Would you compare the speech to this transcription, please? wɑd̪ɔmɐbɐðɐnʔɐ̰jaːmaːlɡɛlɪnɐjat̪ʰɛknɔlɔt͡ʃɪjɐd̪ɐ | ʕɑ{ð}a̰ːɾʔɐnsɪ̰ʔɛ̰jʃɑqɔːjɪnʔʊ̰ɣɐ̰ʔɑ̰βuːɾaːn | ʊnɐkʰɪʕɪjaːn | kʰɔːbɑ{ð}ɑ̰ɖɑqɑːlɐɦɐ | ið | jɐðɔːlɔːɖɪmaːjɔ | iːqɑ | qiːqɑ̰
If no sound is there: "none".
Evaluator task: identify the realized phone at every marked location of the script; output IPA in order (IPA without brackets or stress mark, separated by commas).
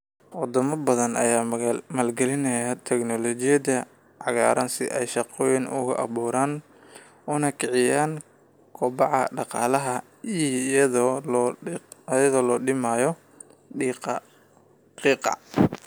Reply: ɣ, ʕ